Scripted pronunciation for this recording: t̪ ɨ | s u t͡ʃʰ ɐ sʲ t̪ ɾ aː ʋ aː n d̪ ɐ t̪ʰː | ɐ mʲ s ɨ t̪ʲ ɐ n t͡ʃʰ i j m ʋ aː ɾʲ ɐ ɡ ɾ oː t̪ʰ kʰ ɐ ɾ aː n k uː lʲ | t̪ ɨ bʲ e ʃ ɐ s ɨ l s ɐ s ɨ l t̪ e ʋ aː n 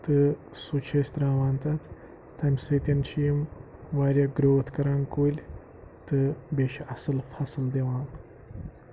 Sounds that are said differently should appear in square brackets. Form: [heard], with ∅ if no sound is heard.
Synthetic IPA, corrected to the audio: t̪ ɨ | s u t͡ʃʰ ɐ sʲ t̪ ɾ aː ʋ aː n [t̪] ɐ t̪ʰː | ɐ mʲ s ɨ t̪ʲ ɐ n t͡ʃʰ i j m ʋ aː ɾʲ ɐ ɡ ɾ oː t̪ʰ [k] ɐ ɾ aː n k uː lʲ | t̪ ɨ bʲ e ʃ ɐ s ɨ l [f] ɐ s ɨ l [d̪] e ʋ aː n